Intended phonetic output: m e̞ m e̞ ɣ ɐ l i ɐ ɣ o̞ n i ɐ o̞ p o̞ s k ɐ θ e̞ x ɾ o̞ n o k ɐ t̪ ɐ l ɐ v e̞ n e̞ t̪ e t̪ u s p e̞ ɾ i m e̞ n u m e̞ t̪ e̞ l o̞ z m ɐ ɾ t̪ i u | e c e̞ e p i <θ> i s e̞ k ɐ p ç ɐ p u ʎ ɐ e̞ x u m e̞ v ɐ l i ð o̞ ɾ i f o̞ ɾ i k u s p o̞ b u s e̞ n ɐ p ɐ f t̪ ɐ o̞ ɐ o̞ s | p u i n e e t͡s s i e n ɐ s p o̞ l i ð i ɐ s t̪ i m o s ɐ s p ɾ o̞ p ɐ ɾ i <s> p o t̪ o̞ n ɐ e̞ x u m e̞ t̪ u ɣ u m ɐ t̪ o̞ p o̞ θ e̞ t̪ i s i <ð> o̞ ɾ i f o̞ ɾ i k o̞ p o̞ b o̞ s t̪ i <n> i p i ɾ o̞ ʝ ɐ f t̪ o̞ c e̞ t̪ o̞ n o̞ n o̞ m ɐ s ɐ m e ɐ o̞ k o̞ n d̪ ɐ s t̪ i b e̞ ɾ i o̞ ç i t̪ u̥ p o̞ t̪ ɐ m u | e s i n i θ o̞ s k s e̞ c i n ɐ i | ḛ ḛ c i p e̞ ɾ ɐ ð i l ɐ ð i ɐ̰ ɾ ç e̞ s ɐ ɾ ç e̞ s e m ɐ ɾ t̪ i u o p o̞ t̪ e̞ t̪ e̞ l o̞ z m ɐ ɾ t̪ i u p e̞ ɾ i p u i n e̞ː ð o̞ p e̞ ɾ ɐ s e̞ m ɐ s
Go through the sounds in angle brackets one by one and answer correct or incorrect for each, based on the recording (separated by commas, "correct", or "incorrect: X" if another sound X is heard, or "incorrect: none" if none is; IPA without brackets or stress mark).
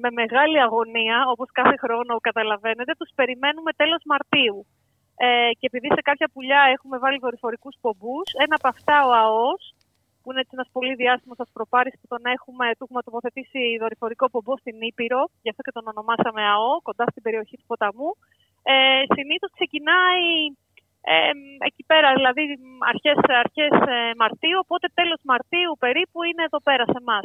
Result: incorrect: ð, correct, correct, correct